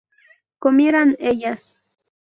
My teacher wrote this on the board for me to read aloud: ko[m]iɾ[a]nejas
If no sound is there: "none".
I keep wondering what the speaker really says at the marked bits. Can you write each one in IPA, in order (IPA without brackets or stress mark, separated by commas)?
m, a